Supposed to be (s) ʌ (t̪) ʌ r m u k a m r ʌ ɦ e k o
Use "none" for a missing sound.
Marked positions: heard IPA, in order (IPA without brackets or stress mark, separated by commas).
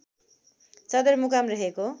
t͡s, d̪